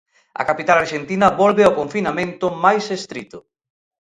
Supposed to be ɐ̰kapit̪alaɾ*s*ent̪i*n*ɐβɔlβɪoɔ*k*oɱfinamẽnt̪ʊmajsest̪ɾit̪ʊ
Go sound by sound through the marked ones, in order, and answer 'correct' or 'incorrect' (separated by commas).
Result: incorrect, correct, correct